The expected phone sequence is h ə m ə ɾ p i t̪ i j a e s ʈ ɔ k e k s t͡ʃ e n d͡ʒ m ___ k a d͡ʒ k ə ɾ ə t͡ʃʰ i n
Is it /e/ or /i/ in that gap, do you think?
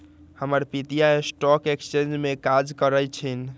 e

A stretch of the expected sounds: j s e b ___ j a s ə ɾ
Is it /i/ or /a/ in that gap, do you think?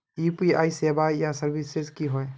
a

